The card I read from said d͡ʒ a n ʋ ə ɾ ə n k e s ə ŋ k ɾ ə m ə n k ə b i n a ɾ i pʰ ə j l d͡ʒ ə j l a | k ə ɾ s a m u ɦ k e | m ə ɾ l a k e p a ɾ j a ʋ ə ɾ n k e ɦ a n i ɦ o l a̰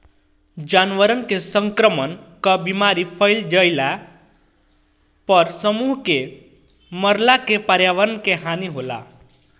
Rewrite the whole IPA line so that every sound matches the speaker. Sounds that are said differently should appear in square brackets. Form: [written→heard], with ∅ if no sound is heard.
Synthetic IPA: d͡ʒ a n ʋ ə ɾ ə n k e s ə ŋ k ɾ ə m ə n k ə b i [n→m] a ɾ i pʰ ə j l d͡ʒ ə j l a | [k→p] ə ɾ s [a→ə] m u ɦ k e | m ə ɾ l a k e p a ɾ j a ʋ ə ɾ n k e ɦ a n i ɦ o l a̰